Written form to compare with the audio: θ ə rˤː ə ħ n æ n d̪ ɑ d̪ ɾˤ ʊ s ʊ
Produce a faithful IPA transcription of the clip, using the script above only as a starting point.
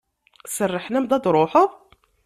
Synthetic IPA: s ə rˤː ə ħ n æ m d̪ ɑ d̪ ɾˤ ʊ ħ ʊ